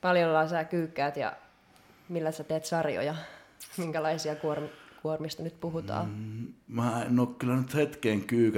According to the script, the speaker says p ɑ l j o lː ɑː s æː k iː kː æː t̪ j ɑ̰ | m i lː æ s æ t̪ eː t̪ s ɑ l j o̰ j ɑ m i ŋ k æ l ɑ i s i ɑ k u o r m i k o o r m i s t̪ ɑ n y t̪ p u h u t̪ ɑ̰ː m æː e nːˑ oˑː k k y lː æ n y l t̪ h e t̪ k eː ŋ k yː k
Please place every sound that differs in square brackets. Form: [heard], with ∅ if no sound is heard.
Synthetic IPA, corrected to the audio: p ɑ l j o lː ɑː s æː k [yː] kː æː t̪ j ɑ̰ | m i lː æ s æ t̪ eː t̪ s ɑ [r] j o̰ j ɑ m i ŋ k æ l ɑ i s i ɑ k u o r m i k [u] o r m i s t̪ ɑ n y t̪ p u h u t̪ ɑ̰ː m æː e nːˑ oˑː k k y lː æ n y [∅] t̪ h e t̪ k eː ŋ k yː k